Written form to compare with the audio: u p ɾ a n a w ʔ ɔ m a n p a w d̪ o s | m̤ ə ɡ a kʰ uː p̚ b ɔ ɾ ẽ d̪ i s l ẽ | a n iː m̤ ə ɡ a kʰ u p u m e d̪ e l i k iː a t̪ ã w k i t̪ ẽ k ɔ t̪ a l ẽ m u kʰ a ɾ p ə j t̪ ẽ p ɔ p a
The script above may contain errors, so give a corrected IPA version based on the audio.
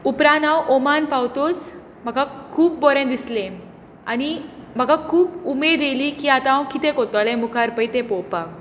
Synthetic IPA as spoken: u p ɾ a n a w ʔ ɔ m a n p a w t̪ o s | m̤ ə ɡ a kʰ uː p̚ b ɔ ɾ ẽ d̪ i s l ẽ | a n i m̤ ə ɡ a kʰ uː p u m e d̪ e l i k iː a t̪ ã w k i t̪ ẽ k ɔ t̪ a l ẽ m u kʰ a ɾ p ə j t̪ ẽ p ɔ p a